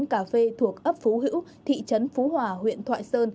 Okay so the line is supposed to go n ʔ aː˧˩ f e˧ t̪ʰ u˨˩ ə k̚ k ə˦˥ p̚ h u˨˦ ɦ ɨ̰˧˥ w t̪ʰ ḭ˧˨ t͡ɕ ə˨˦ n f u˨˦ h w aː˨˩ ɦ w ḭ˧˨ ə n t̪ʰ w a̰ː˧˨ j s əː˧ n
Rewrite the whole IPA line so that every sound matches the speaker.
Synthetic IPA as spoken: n k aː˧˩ f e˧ t̪ʰ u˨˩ ə k̚ ʔ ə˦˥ p̚ f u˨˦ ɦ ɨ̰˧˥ w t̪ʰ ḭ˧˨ t͡ɕ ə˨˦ n f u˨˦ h w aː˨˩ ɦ w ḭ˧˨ ə n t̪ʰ w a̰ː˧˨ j s əː˧ n